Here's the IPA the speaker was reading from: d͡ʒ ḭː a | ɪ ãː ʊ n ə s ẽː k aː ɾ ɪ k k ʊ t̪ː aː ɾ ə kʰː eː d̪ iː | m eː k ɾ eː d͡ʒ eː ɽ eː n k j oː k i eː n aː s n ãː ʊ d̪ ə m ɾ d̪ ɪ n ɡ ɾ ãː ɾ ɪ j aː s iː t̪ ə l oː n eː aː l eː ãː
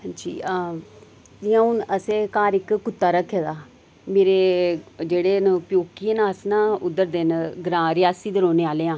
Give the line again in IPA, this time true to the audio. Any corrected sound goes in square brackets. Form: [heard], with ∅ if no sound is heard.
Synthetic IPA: d͡ʒ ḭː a | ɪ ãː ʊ n ə s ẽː k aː ɾ ɪ k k ʊ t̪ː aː ɾ ə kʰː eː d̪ [aː] | m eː [∅] ɾ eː d͡ʒ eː ɽ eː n [p] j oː k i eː n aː s n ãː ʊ d̪ ə [∅] ɾ d̪ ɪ n ɡ ɾ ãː ɾ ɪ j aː s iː [d̪] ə [ɾ] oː n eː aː l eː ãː